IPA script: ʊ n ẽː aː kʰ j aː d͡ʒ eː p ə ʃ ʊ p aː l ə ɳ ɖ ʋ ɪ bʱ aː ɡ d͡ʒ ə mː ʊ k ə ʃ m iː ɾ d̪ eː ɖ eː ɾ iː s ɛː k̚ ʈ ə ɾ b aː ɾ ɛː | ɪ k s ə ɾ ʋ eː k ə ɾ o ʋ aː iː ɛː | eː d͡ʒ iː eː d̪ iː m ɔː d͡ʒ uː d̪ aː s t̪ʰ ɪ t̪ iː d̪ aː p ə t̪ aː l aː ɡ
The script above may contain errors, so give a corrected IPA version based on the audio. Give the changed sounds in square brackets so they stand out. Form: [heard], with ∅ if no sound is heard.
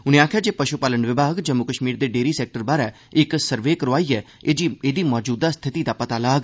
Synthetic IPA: ʊ n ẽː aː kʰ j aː d͡ʒ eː p ə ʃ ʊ p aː l ə ɳ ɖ ʋ ɪ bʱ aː ɡ d͡ʒ ə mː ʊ k ə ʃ m iː ɾ d̪ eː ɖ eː ɾ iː s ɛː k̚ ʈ ə ɾ b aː ɾ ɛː | ɪ k s ə ɾ ʋ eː k ə ɾ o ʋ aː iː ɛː | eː d͡ʒ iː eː d̪ iː m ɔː d͡ʒ uː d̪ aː s t̪ʰ ɪ t̪ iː d̪ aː p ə t̪ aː l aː ɡ